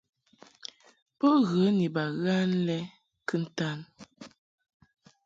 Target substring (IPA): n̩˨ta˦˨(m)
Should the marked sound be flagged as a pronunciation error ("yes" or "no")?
yes